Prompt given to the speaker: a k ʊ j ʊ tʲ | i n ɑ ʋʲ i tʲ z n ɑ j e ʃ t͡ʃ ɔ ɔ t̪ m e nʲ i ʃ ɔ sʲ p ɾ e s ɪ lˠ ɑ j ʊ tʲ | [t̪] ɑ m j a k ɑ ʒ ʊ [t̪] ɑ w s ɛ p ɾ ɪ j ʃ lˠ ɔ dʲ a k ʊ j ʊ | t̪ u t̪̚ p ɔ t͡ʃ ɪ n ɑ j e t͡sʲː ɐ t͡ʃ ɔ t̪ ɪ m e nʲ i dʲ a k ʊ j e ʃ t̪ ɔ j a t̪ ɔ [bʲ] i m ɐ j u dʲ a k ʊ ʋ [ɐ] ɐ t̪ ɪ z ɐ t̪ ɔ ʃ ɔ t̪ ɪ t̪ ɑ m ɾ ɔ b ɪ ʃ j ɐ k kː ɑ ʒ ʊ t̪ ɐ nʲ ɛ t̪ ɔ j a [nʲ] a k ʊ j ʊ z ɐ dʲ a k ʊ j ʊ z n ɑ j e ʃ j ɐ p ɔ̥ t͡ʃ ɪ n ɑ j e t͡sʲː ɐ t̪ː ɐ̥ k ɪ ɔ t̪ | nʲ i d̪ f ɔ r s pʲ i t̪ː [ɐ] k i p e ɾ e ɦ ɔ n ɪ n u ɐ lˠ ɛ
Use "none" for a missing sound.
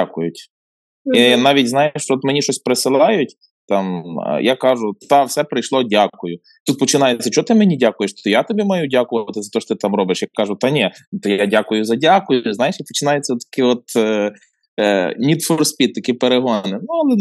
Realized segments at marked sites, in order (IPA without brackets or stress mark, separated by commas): t̪, t̪, bʲ, ɐ, dʲ, ɐ